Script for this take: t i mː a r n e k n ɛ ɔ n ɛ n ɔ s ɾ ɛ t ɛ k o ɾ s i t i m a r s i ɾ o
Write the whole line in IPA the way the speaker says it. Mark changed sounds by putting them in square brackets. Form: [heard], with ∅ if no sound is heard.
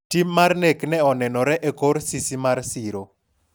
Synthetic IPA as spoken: t i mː a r n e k n ɛ ɔ n ɛ n ɔ [∅] ɾ ɛ [ʔ] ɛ k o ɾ s i [s] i m a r s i ɾ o